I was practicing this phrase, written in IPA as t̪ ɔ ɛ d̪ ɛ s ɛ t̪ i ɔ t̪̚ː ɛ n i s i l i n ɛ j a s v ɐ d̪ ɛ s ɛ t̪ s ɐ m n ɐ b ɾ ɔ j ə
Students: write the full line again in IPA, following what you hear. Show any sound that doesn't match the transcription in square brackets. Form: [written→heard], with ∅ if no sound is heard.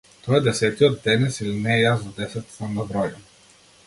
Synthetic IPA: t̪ ɔ ɛ d̪ ɛ s ɛ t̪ i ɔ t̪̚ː ɛ n [i→ɛ] s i l i n ɛ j a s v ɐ d̪ ɛ s ɛ t̪ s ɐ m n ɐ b ɾ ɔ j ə